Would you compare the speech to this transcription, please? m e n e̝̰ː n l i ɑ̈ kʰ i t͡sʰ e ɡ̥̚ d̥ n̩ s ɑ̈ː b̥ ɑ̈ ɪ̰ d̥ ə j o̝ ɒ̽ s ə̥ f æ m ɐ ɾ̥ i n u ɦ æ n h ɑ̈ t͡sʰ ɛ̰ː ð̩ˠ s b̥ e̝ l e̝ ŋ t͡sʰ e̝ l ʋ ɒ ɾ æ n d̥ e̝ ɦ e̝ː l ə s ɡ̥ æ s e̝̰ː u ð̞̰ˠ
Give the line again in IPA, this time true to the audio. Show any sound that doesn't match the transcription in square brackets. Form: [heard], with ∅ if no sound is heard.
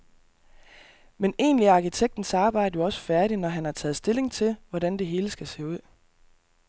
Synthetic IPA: m e n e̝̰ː n l i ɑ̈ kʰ i t͡sʰ e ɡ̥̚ d̥ n̩ s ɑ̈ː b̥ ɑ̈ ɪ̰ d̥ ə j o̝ ɒ̽ s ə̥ f æ [∅] ɐ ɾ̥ i n [ɒ] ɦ æ n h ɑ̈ t͡sʰ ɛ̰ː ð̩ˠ s [d̥] e̝ l e̝ ŋ t͡sʰ e̝ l ʋ ɒ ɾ æ n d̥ e̝ ɦ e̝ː l ə s ɡ̥ æ s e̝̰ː u ð̞̰ˠ